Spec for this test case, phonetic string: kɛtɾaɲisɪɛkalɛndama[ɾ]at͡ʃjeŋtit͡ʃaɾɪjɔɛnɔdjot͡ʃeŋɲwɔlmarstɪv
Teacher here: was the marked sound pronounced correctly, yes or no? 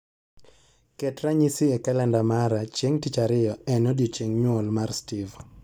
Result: yes